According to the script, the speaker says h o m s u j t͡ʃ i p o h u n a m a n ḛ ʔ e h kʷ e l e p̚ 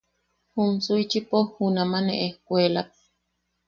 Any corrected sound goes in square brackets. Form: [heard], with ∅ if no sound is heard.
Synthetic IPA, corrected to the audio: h [u] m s u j t͡ʃ i p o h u n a m a n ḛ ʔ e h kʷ e l [a] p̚